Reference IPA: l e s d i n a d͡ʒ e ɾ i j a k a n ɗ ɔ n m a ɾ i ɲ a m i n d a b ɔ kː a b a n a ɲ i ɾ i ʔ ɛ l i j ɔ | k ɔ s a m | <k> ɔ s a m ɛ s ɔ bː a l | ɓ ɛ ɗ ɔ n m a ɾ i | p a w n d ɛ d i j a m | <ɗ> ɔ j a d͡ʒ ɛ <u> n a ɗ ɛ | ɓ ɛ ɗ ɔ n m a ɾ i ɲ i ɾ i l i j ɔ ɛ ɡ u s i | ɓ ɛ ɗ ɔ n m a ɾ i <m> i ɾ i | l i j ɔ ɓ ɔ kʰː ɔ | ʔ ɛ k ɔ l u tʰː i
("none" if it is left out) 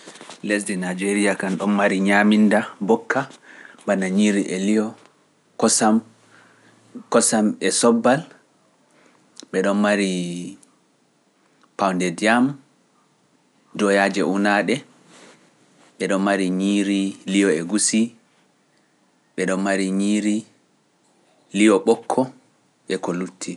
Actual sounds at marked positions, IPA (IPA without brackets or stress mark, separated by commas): k, d, u, ɲ